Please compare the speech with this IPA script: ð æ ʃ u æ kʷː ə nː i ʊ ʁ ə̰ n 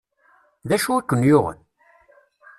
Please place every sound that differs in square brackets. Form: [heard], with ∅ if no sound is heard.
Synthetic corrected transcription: ð æ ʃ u æ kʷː ə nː [j] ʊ ʁ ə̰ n